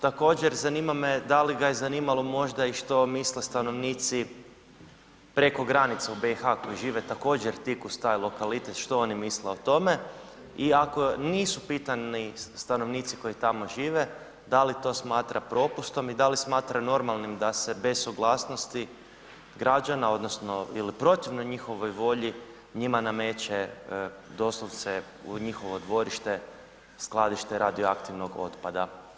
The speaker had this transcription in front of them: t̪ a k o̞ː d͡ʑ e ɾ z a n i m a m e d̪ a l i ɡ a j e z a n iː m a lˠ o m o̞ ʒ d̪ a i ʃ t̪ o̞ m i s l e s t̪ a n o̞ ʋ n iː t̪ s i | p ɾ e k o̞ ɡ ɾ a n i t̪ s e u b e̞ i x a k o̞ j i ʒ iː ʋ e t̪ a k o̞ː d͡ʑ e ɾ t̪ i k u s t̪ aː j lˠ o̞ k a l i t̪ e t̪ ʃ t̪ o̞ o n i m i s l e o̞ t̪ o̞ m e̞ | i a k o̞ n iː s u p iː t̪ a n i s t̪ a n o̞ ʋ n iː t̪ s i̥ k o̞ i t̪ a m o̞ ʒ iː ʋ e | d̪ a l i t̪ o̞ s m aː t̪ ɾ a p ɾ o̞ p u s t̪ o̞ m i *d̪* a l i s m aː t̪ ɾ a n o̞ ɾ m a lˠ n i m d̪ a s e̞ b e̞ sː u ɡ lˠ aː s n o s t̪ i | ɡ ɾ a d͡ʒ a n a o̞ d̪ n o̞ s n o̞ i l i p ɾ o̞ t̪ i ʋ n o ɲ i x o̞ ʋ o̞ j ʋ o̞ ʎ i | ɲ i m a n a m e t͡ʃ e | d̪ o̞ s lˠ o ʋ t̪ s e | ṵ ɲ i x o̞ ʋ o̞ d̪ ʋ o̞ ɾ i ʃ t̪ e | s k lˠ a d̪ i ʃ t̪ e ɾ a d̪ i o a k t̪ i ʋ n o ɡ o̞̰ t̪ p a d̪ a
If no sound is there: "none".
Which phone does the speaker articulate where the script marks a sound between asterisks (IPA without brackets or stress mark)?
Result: d̪